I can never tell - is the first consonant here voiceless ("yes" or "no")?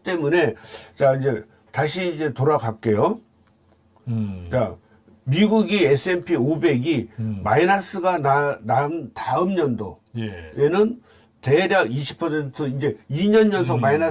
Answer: yes